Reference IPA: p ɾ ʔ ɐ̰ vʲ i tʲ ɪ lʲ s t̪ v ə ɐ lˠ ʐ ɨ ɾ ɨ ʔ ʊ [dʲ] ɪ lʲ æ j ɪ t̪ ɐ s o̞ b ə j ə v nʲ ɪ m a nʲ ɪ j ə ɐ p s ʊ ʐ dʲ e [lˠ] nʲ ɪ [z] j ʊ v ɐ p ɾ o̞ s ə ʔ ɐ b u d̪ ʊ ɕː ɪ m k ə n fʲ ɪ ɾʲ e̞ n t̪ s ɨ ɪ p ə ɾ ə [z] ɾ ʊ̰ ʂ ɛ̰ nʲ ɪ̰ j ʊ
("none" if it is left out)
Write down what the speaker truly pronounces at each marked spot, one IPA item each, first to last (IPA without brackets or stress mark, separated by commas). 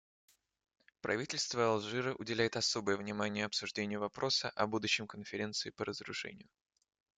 dʲ, none, none, z